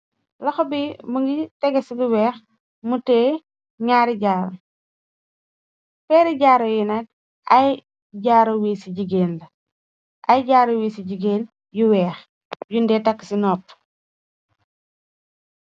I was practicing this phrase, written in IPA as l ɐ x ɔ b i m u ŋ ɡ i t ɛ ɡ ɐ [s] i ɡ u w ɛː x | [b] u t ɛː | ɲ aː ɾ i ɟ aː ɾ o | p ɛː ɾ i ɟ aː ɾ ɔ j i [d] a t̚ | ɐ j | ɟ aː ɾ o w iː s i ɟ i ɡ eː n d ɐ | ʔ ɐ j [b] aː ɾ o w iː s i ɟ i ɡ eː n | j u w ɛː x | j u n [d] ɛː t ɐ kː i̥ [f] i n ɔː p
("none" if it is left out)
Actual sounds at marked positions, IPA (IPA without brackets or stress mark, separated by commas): s, m, n, ɟ, d, s